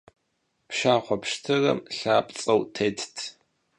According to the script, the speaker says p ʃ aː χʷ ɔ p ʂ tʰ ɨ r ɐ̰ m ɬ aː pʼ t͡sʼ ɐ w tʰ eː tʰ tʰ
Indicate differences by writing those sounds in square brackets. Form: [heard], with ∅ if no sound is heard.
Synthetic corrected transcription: p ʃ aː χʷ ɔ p ʂ tʰ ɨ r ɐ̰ m ɬ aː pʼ t͡sʼ ɐ w tʰ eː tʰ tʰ